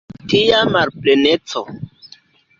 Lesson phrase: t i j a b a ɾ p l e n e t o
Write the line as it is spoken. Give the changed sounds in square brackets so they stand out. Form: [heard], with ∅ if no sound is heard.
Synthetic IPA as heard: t i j a [m] a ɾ p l e n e [t͡s] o